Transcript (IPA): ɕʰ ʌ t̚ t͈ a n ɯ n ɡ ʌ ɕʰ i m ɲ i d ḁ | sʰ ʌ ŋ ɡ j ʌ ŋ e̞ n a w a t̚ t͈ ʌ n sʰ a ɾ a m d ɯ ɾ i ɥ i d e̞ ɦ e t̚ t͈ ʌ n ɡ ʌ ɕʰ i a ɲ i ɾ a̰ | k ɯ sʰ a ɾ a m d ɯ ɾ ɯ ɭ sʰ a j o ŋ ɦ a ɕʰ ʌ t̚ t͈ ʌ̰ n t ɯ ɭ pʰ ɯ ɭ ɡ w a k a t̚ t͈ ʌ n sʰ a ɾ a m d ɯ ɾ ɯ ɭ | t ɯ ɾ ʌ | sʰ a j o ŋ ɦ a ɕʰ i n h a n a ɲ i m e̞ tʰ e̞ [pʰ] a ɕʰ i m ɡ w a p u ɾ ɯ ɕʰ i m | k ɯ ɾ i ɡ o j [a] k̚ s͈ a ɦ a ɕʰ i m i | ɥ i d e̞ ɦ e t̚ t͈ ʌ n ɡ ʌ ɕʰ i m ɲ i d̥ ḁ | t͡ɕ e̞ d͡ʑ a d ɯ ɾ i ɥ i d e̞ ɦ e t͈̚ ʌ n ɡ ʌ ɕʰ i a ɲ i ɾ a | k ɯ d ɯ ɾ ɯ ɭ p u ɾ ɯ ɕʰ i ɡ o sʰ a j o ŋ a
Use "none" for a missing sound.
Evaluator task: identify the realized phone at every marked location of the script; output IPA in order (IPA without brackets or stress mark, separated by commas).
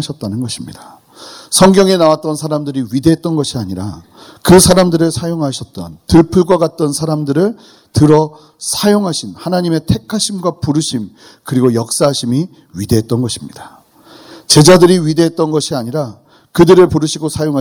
kʰ, ʌ